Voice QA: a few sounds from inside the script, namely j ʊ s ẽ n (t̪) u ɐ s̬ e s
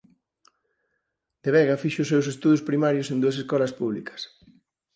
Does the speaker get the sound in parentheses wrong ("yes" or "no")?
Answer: yes